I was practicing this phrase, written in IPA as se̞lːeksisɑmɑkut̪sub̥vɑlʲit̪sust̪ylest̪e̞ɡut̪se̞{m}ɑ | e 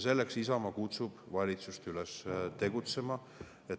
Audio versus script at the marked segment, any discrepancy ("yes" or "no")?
no